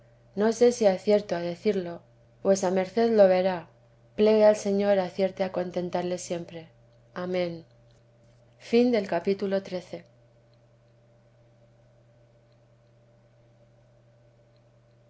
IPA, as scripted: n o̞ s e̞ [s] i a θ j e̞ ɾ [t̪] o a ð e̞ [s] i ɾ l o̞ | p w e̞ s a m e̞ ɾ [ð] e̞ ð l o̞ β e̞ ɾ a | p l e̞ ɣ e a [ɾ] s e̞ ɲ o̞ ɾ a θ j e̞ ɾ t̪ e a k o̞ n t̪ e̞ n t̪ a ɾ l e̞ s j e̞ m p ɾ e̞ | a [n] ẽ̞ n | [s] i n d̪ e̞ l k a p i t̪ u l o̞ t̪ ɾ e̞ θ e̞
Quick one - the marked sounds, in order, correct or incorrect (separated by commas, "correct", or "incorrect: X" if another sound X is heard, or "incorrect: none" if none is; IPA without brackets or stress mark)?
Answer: correct, correct, incorrect: θ, incorrect: θ, incorrect: l, incorrect: m, incorrect: f